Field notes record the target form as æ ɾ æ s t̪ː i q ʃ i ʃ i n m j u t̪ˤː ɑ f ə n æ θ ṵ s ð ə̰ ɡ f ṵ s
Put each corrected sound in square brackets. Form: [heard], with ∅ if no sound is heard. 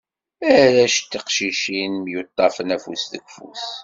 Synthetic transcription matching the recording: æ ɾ æ [ʃ] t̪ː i q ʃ i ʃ i n m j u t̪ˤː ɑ f ə n æ [f] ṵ s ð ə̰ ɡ f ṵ s